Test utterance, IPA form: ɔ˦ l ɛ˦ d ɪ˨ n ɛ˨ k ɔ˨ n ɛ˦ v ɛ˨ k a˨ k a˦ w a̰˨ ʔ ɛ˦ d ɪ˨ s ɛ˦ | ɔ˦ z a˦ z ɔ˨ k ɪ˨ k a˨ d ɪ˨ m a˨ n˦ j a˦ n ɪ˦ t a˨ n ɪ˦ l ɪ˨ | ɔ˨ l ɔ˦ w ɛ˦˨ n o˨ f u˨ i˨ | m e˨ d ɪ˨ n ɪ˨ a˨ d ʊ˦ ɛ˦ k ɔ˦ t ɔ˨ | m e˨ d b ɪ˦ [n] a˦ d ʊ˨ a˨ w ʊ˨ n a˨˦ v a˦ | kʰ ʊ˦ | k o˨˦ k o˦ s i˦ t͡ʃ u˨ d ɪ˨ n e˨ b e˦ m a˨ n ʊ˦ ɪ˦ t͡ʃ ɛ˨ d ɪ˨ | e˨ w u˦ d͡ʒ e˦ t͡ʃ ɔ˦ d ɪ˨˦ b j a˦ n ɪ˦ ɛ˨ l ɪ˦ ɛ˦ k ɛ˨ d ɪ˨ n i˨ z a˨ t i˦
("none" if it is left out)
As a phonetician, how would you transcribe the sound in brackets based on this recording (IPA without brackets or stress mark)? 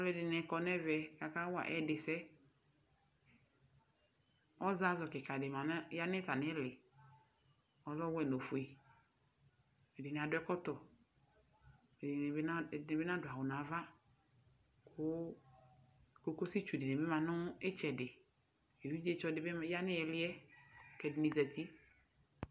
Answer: n